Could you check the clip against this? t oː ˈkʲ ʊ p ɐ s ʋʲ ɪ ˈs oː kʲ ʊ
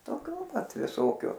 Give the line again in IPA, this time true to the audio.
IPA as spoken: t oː ˈkʲ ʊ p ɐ t ʋʲ ɪ ˈs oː kʲ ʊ

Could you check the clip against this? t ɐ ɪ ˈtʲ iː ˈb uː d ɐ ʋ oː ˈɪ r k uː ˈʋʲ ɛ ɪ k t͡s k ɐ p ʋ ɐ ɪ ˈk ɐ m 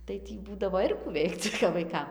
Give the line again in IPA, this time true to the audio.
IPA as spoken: t ɐ ɪ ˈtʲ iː ˈb uː d ɐ ʋ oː ˈɪ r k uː ˈʋʲ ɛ ɪ k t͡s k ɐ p ʋ ɐ ɪ ˈk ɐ m

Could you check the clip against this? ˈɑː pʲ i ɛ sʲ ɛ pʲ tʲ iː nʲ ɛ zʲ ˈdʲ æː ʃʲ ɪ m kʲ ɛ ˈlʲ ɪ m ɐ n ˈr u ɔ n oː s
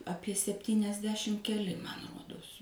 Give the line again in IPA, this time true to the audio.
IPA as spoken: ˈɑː pʲ i ɛ sʲ ɛ pʲ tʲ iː nʲ ɛ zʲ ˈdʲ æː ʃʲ ɪ m kʲ ɛ ˈlʲ ɪ m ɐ n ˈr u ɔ d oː s

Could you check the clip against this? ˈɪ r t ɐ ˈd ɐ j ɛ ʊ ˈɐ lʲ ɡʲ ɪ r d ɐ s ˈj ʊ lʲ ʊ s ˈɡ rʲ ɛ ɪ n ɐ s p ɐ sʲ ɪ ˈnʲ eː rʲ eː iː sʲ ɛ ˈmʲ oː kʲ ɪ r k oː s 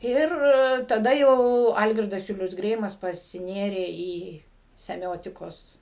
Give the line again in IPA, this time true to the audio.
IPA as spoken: ˈɪ r t ɐ ˈd ɐ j ɛ ʊ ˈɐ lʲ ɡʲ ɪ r d ɐ s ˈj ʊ lʲ ʊ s ˈɡ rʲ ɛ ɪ m ɐ s p ɐ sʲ ɪ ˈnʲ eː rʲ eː iː sʲ ɛ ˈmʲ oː tʲ ɪ k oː s

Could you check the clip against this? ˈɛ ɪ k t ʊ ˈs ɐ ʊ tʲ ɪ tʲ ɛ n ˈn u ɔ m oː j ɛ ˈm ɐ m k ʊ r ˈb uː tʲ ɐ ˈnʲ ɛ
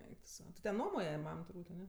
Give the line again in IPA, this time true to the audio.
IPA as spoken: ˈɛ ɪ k t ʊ ˈs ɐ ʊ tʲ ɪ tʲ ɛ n ˈn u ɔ m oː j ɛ ˈm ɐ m t ʊ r ˈb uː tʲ ɐ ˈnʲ ɛ

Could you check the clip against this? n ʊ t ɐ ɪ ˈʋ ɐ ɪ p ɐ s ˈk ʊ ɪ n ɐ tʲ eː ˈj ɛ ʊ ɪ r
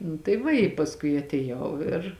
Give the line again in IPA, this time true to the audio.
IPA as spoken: n ʊ t ɐ ɪ ˈʋ ɐ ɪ p ɐ s ˈk ʊ ɪ ɐ tʲ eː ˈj ɛ ʊ ɪ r

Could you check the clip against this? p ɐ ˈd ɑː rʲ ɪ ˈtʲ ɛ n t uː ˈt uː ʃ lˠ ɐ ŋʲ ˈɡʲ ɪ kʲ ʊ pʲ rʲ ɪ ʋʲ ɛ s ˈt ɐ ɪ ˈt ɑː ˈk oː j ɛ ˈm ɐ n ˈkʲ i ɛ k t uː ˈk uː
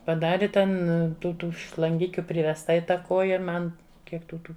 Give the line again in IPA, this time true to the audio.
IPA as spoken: p ɐ ˈd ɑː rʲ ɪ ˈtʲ ɛ n t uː ˈt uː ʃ lˠ ɐ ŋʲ ˈɡʲ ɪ kʲ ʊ pʲ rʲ ɪ ʋʲ ɛ s ˈt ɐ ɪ ˈt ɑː ˈk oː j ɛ ˈm ɐ n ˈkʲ i ɛ k t uː ˈt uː

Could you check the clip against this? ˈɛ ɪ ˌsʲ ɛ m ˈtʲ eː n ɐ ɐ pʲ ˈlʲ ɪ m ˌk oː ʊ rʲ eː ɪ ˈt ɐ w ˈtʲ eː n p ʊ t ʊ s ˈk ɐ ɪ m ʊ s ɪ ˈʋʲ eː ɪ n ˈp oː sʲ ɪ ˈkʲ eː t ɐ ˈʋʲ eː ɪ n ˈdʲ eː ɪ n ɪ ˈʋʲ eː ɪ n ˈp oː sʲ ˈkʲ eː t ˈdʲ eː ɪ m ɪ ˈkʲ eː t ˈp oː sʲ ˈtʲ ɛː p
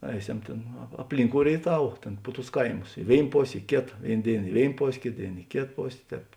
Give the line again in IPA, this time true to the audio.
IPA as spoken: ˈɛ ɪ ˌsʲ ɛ m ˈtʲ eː n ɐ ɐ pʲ ˈlʲ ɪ ŋ ˌk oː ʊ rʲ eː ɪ ˈt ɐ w ˈtʲ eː n p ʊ t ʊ s ˈk ɐ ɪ m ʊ s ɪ ˈʋʲ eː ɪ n ˈp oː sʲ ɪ ˈkʲ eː t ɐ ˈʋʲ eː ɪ n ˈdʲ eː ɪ n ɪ ˈʋʲ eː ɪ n ˈp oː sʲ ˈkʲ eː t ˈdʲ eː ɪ n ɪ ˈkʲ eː t ˈp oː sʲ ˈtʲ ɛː p

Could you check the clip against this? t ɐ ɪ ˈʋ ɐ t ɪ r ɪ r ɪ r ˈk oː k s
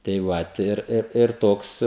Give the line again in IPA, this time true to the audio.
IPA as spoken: t ɐ ɪ ˈʋ ɐ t ɪ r ɪ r ɪ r ˈt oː k s

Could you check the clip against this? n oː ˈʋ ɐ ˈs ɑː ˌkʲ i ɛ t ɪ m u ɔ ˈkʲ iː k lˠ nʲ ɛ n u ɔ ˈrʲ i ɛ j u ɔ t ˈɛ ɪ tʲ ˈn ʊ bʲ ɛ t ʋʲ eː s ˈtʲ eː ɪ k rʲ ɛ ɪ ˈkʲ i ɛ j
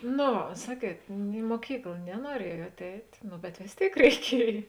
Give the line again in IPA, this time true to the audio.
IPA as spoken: n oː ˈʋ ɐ ˈs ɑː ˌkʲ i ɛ t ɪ m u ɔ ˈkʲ iː k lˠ nʲ ɛ n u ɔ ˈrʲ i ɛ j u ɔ t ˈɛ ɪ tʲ ˈn ʊ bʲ ɛ t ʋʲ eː s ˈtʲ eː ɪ k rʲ ɛ ɪ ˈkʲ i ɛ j

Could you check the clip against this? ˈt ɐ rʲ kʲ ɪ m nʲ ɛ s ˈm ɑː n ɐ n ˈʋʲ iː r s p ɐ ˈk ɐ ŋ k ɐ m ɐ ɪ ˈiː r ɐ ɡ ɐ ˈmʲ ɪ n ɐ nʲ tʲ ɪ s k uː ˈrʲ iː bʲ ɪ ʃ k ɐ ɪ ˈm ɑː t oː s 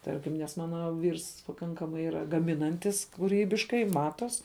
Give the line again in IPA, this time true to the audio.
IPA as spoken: ˈt ɐ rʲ kʲ ɪ m nʲ ɛ s ˈm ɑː n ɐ ˈʋʲ iː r s p ɐ ˈk ɐ ŋ k ɐ m ɐ ɪ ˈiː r ɐ ɡ ɐ ˈmʲ ɪ n ɐ nʲ tʲ ɪ s k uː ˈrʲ iː bʲ ɪ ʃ k ɐ ɪ ˈm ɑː t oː s

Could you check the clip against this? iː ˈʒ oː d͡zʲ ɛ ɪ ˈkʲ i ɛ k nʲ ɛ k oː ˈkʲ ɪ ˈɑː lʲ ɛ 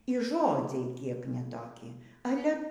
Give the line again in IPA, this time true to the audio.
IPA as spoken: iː ˈʒ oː d͡zʲ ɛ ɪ ˈkʲ i ɛ k nʲ ɛ t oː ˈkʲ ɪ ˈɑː lʲ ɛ

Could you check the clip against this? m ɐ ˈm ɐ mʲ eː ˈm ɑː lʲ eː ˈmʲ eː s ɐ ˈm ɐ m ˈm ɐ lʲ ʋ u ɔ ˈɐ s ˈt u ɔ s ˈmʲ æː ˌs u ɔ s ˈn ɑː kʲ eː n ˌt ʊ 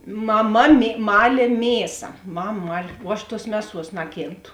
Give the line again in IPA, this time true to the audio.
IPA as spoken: m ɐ ˈm ɐ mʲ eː ˈm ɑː lʲ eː ˈmʲ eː s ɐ ˈm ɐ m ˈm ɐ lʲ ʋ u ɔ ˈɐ ʃ ˈt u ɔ s ˈmʲ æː ˌs u ɔ s ˈn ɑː kʲ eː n ˌt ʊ

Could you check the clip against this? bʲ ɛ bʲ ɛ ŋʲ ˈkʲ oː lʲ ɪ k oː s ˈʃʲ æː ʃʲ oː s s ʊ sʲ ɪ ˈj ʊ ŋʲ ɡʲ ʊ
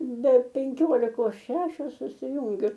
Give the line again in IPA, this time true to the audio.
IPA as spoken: bʲ ɛ pʲ ɛ ŋʲ ˈkʲ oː lʲ ɪ k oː s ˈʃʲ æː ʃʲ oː s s ʊ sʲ ɪ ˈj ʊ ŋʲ ɡʲ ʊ

